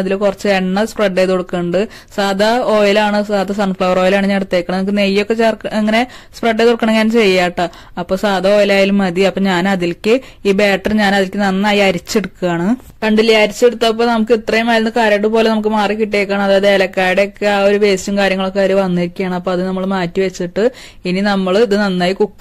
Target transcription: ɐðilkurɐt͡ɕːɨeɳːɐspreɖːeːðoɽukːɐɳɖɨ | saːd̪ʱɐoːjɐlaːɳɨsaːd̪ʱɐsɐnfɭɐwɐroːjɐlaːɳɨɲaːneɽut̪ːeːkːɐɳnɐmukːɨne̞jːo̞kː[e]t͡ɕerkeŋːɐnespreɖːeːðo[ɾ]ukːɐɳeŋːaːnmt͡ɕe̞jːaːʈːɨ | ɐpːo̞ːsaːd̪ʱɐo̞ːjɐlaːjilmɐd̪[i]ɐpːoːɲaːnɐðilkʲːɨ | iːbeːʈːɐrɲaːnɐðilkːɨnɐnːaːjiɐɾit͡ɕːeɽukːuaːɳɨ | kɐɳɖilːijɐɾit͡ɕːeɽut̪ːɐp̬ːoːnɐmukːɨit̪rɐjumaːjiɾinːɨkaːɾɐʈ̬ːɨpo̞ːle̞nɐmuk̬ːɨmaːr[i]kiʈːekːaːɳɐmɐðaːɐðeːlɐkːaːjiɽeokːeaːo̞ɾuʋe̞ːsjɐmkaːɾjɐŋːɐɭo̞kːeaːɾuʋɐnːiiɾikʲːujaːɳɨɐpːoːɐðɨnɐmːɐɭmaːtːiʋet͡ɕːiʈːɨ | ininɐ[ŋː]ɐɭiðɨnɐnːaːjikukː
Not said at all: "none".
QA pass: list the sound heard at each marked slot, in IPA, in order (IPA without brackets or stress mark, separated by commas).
e, ɽ, i, i, mː